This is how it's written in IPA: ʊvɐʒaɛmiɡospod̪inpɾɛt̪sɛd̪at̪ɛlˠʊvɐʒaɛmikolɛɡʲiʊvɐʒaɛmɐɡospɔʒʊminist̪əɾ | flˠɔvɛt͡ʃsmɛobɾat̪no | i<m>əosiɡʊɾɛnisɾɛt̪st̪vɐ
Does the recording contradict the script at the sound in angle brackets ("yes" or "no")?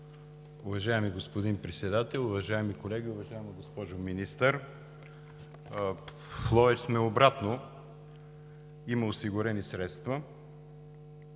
no